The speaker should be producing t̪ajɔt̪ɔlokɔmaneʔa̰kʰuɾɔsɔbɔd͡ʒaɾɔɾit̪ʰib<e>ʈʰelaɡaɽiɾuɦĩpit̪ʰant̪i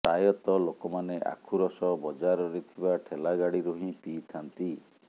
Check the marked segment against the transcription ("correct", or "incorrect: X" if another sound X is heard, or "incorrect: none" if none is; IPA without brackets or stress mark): incorrect: a